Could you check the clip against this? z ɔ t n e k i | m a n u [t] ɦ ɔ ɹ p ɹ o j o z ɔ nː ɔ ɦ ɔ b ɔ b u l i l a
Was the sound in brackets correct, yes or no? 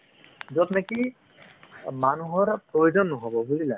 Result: no